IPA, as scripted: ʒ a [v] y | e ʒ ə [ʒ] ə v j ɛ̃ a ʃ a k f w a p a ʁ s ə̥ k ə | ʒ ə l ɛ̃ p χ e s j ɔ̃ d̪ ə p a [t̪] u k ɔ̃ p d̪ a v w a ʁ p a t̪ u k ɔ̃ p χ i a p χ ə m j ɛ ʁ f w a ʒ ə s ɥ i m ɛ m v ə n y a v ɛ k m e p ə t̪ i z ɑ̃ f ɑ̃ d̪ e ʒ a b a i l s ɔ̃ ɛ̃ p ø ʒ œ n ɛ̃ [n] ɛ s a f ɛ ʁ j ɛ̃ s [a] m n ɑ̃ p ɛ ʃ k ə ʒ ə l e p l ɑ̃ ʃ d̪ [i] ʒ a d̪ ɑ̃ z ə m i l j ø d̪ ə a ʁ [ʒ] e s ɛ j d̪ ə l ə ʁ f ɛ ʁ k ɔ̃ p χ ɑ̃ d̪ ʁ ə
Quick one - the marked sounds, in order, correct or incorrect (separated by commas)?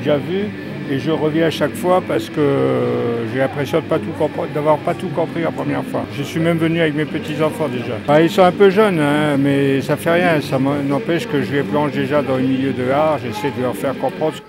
correct, incorrect, correct, incorrect, correct, incorrect, correct